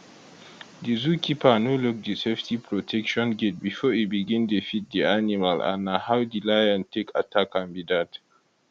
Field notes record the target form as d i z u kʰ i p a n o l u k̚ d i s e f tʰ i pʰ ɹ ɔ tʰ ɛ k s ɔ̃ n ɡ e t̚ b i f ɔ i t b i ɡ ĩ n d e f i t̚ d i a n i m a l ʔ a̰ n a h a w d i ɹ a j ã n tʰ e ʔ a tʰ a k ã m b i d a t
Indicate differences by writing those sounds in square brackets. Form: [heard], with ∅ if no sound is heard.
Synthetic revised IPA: d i z u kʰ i p a n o l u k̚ d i s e f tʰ i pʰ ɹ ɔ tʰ ɛ k [ʃ] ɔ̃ n ɡ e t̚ b i f ɔ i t b i ɡ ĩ n d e f i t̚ d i a n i m a l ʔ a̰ n a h a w d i [l] a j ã n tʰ e [k] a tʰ a k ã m b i d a t

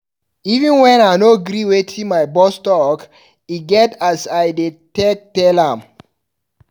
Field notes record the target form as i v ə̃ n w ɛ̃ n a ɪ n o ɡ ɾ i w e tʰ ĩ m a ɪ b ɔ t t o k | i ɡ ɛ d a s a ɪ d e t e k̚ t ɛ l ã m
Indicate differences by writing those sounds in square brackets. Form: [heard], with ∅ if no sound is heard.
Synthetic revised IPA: i v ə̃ n w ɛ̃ n a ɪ n o ɡ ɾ i w e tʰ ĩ m a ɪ b ɔ [s] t [ɔ] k | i ɡ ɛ [t] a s a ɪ d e t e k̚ t ɛ l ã m

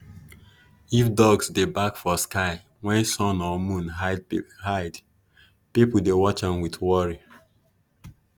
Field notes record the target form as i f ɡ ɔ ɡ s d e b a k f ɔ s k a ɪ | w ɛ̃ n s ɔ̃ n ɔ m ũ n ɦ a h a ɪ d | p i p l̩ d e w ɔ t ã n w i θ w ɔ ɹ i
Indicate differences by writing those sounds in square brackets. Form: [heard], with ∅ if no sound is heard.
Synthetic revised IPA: i f [d] ɔ ɡ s d e b a k f ɔ s k a ɪ | w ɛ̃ n s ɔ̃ n ɔ m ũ n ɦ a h a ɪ d | p i p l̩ d e w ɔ [t͡ʃ] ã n w i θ w ɔ ɹ i

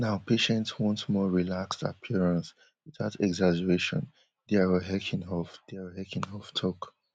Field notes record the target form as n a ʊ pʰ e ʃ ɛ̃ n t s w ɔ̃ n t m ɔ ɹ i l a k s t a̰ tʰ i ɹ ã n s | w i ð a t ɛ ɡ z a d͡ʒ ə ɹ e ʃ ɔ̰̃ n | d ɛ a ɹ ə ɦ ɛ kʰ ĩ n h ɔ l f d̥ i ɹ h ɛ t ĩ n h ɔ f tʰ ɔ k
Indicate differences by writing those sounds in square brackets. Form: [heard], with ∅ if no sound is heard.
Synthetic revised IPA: n a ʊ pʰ e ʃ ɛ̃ n t s w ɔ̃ n t m ɔ ɹ i l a k s t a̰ [pʰ] i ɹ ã n s | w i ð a t ɛ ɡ z a d͡ʒ ə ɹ e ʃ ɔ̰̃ n | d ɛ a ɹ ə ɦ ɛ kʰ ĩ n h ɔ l f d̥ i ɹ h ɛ [k] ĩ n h ɔ f tʰ ɔ k

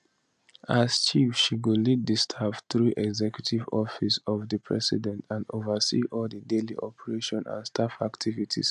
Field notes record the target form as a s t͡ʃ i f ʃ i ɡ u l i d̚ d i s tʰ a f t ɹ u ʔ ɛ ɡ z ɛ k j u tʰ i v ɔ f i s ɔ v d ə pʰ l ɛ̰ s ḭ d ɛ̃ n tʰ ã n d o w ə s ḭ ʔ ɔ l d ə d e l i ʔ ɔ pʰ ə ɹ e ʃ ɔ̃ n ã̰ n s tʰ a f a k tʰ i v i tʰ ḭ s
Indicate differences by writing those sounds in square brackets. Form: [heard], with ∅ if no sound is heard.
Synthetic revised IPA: a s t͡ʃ i f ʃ i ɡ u l i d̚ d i s tʰ a f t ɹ u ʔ ɛ ɡ z ɛ k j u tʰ i v ɔ f i s ɔ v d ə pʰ [ɹ] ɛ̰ s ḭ d ɛ̃ n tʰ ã n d o [v] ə s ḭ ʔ ɔ l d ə d e l i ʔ ɔ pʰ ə ɹ e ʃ ɔ̃ n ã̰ n s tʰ a f a k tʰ i v i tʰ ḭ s

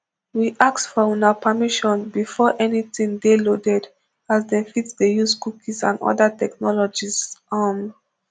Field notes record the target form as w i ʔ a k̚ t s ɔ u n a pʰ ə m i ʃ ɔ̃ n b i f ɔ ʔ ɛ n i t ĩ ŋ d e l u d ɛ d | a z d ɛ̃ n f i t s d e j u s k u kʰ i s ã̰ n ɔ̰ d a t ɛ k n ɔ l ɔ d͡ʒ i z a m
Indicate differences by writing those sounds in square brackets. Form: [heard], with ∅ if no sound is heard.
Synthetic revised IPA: w i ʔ a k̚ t [f] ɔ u n a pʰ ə m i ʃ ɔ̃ n b i f ɔ ʔ ɛ n i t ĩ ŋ d e l [o] d ɛ d | a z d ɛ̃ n f i t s d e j u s k u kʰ i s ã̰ n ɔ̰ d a t ɛ k n ɔ l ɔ d͡ʒ i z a m

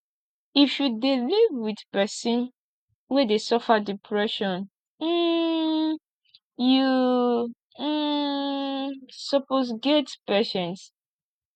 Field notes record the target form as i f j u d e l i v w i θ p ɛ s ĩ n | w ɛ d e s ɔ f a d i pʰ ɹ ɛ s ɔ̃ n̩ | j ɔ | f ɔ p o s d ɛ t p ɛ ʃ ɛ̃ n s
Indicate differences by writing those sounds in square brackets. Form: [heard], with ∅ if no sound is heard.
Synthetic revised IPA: i f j u d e l i v w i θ p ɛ s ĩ n | w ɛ d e s ɔ f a d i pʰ ɹ ɛ [ʃ] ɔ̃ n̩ | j [u] | [s] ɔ p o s [ɡ] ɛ t p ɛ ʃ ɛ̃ n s

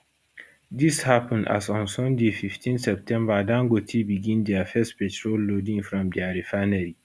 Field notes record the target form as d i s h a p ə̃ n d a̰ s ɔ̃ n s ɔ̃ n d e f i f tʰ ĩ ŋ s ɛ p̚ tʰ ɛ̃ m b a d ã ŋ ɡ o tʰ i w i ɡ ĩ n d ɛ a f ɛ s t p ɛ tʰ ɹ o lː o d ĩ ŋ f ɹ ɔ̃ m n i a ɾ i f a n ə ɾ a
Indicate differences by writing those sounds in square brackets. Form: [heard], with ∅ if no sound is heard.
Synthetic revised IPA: d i s h a p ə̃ n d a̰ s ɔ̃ n s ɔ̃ n d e f i f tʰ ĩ [n] s ɛ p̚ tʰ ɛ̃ m b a d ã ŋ ɡ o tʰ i [b] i ɡ ĩ n d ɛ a f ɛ s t p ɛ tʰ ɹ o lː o d ĩ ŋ f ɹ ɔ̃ m [d] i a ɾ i f a n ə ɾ [i]

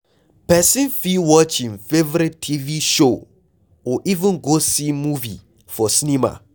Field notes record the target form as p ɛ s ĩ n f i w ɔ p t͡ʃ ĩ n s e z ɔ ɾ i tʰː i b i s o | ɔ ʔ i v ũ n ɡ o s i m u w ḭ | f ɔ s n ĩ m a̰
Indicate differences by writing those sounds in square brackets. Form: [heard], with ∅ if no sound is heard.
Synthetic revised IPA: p ɛ s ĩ n f i w ɔ [∅] t͡ʃ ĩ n [f] e [v] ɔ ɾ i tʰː i [v] i [ʃ] o | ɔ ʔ i v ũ n ɡ o s i m u [v] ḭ | f ɔ s n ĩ m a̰

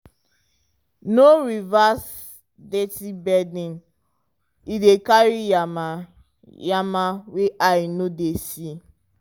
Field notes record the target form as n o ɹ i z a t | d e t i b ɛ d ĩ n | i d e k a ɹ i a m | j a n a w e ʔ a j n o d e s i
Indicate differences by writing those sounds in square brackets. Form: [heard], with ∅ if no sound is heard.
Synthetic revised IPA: n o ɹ i [v] a [s] | d e t i b ɛ d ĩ n | i d e k a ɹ i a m | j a [m] a w e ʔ a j n o d e s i

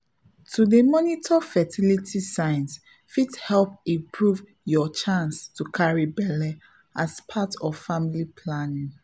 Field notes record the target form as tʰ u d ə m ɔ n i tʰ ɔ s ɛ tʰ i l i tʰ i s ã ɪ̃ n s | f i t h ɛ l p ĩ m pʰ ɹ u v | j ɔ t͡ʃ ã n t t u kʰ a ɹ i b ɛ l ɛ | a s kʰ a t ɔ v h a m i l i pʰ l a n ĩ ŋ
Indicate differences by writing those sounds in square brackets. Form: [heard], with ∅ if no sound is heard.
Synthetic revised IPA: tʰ u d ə m ɔ n i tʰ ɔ [f] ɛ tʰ i l i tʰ i s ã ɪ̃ n s | f i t h ɛ l p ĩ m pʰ ɹ u v | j ɔ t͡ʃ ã n [s] t u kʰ a ɹ i b ɛ l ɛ | a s [pʰ] a t ɔ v [f] a m i l i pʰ l a n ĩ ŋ

